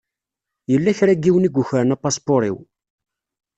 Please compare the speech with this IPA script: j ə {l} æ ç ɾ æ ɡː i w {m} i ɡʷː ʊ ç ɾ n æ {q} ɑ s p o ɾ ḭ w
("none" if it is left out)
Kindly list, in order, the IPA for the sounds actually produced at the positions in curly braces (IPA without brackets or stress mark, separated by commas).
lː, n, p